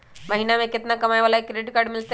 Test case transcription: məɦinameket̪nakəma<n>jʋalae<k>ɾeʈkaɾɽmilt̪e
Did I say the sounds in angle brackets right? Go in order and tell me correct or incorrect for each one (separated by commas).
incorrect, correct